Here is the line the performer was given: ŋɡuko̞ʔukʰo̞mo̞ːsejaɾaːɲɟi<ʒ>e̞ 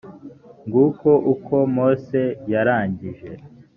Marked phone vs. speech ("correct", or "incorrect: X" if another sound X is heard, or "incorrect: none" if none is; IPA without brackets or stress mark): correct